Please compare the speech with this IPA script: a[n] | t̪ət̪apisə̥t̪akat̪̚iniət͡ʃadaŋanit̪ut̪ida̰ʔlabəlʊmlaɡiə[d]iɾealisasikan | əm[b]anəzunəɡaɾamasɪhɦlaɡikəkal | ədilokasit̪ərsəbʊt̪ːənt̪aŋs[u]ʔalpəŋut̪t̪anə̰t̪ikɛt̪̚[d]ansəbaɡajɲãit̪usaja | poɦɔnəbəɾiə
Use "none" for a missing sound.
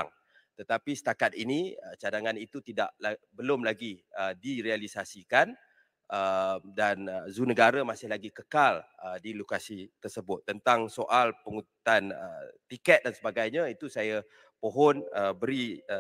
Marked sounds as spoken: ŋ, d, d, o, d

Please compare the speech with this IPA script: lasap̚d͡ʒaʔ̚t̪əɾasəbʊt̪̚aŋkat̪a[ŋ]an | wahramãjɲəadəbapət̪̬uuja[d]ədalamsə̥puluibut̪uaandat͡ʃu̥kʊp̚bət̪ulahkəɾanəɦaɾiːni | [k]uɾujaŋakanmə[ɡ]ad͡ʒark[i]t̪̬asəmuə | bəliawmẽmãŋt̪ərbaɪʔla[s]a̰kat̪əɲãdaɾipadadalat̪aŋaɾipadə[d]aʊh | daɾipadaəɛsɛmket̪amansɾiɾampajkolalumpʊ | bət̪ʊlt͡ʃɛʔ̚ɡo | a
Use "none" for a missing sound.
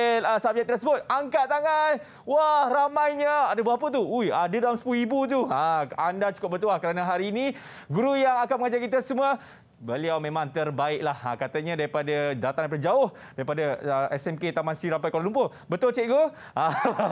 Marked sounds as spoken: ŋ, d, ɡ, ŋ, i, h, d͡ʒ

